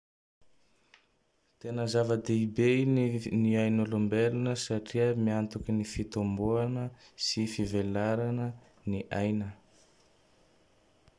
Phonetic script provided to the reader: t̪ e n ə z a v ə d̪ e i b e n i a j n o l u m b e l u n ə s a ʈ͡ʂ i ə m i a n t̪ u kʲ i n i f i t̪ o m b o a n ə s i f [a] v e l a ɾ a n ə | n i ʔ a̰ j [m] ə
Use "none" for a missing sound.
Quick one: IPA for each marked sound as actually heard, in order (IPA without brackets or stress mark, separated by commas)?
i, n